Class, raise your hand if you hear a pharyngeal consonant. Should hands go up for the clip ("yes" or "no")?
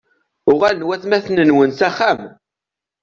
no